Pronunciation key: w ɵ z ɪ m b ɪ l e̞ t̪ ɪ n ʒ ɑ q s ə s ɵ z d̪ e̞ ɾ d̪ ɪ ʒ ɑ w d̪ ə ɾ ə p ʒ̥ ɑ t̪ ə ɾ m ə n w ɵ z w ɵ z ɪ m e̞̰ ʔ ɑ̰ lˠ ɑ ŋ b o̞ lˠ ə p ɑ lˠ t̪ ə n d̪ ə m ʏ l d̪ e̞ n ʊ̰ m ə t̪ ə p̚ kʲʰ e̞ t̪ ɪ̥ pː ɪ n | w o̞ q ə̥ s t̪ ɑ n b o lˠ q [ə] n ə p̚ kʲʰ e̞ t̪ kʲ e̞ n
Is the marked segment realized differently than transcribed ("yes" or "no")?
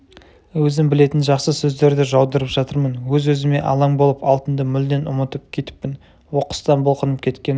no